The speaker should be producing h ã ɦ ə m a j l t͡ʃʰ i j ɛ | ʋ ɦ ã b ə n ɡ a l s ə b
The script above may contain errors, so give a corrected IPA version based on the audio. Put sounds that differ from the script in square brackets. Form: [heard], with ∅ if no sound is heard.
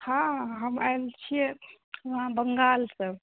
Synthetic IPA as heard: h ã ɦ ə m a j l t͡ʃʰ i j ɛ | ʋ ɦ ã b ə [ŋ] ɡ a l s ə b